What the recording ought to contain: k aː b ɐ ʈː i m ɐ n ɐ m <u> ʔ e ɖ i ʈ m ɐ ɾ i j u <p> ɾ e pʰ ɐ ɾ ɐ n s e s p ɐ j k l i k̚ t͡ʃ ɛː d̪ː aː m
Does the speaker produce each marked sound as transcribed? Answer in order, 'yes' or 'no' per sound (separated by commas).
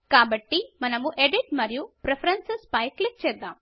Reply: yes, yes